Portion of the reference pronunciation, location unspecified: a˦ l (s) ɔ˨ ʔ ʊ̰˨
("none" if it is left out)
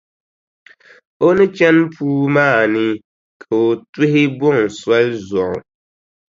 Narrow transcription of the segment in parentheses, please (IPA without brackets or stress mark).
z